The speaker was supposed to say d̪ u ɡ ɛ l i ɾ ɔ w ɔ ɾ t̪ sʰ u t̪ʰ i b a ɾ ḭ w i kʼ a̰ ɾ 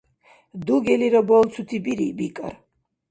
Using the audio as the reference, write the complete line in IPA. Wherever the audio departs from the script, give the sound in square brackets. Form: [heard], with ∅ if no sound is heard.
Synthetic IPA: d̪ u ɡ ɛ l i ɾ ɔ [b] ɔ [l] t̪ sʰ u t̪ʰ i b [i] ɾ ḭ [b] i kʼ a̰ ɾ